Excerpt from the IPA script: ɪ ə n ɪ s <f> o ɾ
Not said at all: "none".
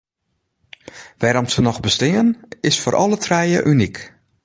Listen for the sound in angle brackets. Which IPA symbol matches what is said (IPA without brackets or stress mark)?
f